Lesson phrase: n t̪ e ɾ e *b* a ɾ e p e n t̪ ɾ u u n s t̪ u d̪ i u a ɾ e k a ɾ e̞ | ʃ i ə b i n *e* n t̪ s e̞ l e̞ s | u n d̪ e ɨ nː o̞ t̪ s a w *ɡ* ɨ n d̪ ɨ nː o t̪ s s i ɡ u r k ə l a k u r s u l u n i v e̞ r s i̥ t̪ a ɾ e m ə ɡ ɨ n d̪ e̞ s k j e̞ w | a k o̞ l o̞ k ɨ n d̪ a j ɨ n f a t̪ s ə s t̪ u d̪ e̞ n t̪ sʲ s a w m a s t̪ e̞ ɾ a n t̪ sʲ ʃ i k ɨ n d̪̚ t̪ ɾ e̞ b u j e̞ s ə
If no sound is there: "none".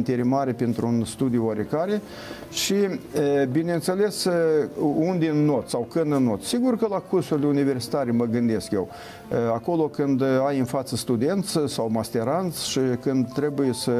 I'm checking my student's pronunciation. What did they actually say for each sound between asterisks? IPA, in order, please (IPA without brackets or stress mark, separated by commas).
m, e, k